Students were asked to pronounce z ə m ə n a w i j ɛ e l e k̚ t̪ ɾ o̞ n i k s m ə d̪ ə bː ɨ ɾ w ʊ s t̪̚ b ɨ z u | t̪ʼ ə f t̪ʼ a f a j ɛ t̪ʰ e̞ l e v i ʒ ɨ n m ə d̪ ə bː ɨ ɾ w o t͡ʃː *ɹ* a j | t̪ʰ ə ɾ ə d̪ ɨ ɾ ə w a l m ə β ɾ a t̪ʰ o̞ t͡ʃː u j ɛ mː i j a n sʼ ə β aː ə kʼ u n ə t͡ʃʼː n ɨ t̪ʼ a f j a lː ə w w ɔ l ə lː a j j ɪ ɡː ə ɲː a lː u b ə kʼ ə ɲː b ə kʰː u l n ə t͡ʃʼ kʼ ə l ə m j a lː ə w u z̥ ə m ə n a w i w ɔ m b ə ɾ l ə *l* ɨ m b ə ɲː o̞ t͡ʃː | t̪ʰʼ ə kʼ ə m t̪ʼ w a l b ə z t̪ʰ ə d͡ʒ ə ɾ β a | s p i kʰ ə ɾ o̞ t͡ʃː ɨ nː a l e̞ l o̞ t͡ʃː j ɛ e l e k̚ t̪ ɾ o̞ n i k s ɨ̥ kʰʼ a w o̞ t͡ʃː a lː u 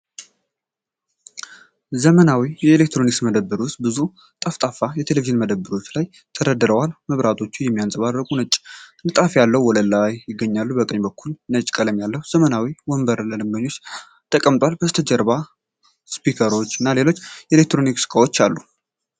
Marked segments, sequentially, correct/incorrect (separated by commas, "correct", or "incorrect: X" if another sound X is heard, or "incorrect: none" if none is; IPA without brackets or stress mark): incorrect: l, correct